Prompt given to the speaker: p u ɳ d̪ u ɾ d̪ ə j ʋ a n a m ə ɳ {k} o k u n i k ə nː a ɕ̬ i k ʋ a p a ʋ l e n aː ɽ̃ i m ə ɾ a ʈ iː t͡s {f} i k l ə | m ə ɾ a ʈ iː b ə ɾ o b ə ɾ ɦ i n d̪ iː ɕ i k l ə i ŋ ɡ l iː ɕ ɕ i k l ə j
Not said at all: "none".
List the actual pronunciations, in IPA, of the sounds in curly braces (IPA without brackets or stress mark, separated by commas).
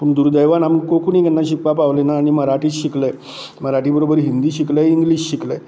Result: k, ɕ